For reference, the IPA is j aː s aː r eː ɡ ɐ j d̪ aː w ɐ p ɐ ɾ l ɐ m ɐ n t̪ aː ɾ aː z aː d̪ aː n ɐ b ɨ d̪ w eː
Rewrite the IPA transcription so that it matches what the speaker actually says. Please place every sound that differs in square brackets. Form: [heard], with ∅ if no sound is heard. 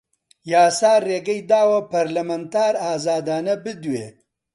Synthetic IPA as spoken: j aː s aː r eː ɡ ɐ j d̪ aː w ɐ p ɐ ɾ l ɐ m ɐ n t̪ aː ɾ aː z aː d̪ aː n ɐ b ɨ d̪ w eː